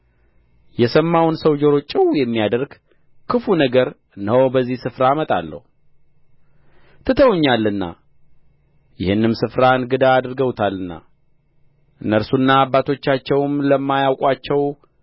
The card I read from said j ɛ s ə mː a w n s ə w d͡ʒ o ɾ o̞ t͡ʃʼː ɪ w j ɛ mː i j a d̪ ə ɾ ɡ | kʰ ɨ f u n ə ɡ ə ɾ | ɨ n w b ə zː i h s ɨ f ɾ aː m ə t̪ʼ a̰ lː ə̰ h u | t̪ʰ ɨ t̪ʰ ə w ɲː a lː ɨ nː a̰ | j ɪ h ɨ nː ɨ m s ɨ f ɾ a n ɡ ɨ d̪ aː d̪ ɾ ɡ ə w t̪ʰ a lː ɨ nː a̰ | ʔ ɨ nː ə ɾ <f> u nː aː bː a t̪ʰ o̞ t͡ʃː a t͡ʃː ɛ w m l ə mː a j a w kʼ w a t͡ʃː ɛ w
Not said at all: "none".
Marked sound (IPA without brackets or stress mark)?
s